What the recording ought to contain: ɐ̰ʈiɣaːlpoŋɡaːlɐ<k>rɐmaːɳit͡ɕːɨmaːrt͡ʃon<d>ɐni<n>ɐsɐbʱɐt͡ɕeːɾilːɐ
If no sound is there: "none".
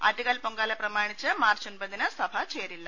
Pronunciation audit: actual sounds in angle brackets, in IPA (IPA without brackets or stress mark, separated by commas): p, b, n